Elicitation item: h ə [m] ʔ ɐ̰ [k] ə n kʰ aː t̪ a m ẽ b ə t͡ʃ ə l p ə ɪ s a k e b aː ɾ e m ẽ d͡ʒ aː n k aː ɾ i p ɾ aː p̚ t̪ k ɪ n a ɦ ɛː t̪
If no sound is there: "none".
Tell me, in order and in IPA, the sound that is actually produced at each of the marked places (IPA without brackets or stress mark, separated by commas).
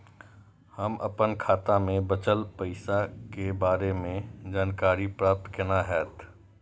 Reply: m, p